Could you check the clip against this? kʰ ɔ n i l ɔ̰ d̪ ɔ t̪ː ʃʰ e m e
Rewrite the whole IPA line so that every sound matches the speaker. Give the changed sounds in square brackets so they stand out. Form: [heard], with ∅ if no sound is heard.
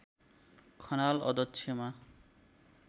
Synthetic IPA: kʰ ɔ n [a] l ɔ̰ d̪ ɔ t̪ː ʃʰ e m [a]

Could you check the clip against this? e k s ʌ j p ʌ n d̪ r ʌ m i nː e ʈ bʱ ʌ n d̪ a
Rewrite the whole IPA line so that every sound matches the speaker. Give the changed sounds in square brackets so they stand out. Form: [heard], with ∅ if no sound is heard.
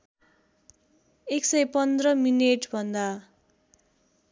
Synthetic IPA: e k s ʌ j p ʌ n d̪ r ʌ m i [n] e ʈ bʱ ʌ n d̪ a

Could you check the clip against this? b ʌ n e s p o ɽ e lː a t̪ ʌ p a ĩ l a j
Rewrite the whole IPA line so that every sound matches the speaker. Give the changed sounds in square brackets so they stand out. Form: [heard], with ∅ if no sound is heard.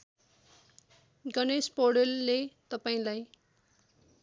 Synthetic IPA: [ɡ] ʌ n e s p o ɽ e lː [e] t̪ ʌ p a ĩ l a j

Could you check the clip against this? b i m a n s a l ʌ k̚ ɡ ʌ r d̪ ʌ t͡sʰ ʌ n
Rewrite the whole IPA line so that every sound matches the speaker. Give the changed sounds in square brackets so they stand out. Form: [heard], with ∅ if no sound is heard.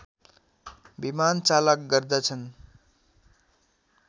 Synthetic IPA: b i m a n [t͡s] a l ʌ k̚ ɡ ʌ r d̪ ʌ t͡sʰ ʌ n

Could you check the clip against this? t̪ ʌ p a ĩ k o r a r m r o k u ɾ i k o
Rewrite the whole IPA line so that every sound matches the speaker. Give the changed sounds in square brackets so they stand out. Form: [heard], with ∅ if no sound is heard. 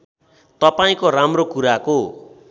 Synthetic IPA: t̪ ʌ p a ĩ k o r a [∅] m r o k u ɾ [a] k o

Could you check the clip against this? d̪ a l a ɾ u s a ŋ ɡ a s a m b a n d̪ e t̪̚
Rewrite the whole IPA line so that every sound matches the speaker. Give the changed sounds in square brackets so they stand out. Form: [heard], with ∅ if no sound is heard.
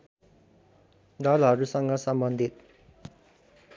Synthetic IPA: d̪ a l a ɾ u s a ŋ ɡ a s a m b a n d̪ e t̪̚

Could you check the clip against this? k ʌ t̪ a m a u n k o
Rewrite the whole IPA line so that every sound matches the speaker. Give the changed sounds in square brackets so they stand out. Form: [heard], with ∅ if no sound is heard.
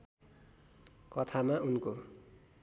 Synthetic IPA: k ʌ [t̪ʰ] a m a u n k o

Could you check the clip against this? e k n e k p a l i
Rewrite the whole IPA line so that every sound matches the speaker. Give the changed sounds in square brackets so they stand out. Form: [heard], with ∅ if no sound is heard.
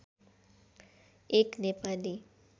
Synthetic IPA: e k n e [∅] p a l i

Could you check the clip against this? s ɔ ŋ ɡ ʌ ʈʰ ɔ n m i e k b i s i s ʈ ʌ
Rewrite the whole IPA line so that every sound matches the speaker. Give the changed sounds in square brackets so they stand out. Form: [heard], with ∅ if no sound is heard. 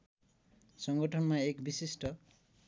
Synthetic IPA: s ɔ ŋ ɡ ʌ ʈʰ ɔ n m [a] e k b i s i s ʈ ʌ

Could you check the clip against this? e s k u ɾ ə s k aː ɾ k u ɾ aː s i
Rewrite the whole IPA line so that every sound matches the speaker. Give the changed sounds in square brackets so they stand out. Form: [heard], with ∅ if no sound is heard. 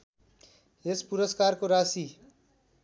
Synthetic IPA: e s [p] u ɾ ə s k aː ɾ k [o] ɾ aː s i

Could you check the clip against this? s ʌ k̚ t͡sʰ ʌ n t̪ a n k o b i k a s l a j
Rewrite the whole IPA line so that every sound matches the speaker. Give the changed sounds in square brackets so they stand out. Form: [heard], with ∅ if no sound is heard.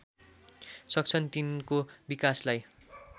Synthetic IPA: s ʌ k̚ t͡sʰ ʌ n t̪ [i] n k o b i k a s l a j

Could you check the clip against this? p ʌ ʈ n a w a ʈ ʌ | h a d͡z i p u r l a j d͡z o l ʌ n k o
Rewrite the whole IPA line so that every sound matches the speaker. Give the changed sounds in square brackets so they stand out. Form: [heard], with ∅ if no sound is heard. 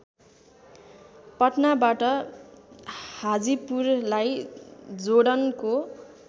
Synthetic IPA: p ʌ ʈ n a [b] a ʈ ʌ | h a d͡z i p u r l a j d͡z o [ɽ] ʌ n k o

